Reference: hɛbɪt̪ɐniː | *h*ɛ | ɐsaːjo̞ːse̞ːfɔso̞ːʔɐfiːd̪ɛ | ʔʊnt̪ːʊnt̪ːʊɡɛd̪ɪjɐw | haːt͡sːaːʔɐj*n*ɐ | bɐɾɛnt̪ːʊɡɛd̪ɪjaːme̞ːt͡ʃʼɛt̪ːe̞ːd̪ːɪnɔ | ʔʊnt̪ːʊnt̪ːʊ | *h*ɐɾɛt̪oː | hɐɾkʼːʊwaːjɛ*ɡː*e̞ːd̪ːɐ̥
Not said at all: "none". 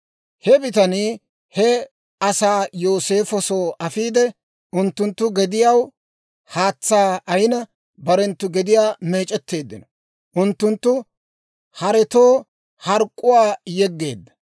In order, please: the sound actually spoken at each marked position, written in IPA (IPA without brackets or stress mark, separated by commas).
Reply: h, n, h, ɡː